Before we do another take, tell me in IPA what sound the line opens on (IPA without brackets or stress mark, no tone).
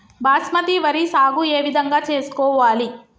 b